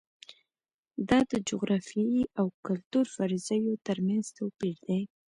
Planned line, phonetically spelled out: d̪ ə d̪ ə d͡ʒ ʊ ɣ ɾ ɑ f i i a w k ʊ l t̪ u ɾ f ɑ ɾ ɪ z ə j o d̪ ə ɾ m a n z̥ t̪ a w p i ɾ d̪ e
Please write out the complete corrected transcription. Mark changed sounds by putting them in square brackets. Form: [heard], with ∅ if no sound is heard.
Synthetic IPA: d̪ [ɑ] d̪ ə d͡ʒ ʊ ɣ ɾ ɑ f i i a w k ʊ l t̪ u ɾ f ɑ ɾ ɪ z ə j o [t̪] ə ɾ m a n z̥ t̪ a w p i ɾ d̪ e